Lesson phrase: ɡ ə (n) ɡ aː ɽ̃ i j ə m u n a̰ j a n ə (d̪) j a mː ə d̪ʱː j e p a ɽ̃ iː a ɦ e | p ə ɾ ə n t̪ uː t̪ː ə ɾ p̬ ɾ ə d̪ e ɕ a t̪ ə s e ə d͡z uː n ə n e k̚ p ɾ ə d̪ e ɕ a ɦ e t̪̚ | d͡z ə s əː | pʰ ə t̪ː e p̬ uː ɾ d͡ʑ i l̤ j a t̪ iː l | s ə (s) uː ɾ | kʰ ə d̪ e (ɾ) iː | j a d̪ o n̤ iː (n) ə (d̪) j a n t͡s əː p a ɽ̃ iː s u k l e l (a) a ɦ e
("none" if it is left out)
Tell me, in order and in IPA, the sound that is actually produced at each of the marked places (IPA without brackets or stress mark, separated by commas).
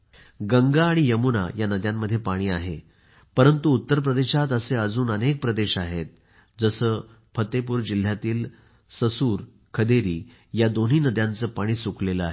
ŋ, d̪, s, ɾ, n, d̪, ə